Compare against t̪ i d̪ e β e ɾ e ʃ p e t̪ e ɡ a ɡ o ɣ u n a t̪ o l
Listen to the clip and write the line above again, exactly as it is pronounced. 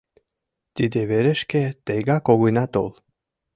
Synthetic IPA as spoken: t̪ i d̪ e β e ɾ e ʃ k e t̪ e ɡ a k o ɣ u n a t̪ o l